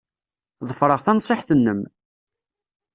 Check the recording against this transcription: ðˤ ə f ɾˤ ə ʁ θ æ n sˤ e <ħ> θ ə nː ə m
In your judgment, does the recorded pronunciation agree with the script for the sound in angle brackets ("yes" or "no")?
yes